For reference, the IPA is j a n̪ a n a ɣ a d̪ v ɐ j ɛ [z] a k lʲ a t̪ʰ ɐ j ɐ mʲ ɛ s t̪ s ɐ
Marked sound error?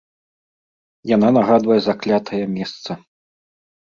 no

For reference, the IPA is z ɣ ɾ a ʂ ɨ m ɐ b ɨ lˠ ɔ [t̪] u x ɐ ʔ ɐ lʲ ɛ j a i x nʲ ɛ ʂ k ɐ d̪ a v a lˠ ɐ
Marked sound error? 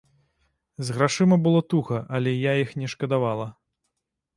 no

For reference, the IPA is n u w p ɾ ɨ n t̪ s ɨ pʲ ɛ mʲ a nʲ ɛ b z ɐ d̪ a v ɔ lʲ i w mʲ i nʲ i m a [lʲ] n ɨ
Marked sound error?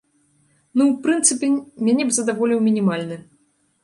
no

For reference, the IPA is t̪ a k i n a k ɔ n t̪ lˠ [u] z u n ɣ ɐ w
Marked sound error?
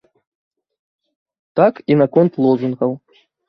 yes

